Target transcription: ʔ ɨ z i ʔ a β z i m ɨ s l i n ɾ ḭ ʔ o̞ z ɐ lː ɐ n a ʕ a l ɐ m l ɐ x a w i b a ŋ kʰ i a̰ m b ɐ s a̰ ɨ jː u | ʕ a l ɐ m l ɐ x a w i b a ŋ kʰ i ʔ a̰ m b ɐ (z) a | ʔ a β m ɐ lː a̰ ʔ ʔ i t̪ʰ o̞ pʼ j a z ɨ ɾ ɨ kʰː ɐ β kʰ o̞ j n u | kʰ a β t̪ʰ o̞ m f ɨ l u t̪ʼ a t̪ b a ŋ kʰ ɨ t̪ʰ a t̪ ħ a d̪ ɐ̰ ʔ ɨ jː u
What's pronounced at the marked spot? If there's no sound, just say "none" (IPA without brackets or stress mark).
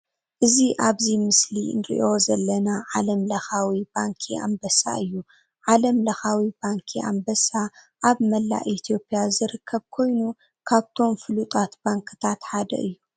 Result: s